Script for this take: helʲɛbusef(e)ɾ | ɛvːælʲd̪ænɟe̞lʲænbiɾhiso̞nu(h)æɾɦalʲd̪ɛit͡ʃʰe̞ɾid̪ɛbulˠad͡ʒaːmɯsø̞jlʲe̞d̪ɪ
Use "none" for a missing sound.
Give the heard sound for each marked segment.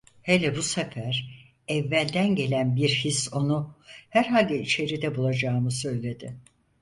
æ, h

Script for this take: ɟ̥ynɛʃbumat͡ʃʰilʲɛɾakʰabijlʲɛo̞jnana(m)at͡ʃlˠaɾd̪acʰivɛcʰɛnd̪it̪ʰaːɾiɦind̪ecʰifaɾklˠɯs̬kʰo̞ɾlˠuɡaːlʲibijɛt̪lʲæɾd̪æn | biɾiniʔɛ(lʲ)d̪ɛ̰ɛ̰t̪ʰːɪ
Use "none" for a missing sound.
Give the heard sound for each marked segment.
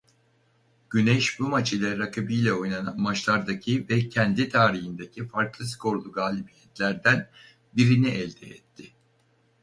m, lʲ

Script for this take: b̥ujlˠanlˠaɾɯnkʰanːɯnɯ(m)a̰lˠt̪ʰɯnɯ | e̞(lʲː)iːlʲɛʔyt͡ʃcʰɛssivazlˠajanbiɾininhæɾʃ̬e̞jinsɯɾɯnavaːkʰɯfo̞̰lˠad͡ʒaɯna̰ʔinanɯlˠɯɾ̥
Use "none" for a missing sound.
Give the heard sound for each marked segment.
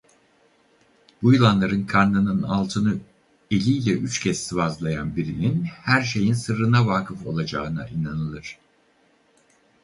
n, lʲ

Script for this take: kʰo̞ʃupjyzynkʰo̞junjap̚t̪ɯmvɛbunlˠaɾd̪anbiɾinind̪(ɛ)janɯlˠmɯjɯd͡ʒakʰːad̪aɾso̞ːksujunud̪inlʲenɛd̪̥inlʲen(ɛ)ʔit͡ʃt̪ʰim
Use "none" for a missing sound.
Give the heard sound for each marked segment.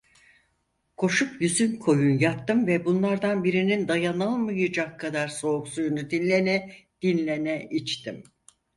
a, ɛ

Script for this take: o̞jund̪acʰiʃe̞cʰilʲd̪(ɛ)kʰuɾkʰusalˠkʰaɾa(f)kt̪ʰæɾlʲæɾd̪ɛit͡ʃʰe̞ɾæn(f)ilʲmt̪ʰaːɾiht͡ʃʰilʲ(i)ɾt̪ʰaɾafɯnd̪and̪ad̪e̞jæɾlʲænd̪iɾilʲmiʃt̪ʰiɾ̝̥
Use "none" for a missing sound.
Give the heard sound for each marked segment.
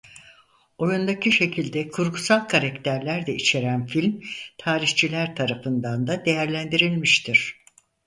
ɛ, none, f, æ

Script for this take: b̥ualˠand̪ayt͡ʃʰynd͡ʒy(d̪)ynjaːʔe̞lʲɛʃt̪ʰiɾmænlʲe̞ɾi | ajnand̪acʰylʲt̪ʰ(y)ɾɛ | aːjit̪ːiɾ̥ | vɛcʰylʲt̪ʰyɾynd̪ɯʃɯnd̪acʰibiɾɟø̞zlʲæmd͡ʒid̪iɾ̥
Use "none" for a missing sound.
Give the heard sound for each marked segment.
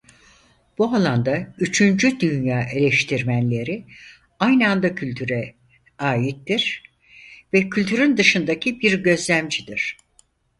d̪, y

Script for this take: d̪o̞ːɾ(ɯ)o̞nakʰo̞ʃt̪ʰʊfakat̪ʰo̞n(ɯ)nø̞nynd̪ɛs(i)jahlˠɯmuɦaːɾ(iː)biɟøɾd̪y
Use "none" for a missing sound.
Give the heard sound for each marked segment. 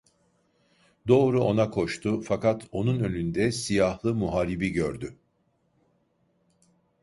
u, u, i, i

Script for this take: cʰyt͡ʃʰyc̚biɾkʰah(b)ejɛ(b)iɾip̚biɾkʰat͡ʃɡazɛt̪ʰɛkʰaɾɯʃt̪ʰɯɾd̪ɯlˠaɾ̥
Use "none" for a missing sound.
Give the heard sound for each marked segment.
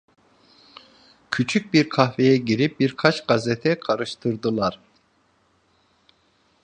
v, ɟ

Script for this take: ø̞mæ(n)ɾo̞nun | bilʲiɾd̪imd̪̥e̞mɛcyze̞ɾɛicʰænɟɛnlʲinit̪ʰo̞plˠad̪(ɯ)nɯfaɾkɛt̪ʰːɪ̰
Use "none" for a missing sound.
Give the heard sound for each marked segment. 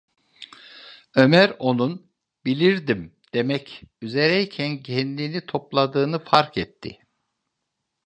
none, ɯː

